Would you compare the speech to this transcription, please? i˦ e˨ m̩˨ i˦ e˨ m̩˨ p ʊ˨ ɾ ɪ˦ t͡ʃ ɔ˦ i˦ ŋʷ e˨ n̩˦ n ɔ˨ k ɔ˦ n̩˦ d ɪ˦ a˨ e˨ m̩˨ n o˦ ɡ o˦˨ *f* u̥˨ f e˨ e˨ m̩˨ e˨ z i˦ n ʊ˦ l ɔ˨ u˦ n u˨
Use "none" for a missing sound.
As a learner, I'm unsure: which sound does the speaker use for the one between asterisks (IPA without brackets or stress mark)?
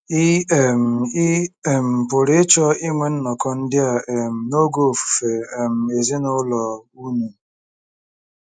f